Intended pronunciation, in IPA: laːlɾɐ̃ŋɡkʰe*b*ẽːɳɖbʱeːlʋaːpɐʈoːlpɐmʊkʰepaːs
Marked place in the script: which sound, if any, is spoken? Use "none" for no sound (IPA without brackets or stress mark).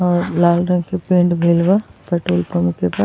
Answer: p